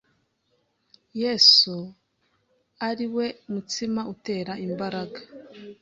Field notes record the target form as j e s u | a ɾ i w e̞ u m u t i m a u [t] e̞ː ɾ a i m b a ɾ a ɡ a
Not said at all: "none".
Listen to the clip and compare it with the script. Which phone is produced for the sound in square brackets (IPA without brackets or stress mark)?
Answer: t